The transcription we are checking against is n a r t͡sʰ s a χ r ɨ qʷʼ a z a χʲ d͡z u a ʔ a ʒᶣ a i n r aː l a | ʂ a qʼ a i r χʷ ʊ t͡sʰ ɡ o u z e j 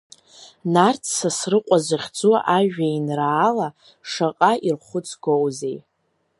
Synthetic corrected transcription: n a r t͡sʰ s a s r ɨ qʷʼ a z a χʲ d͡z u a ʔ a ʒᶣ a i n r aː l a | ʂ a qʼ a i r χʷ ʊ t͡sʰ ɡ o w z e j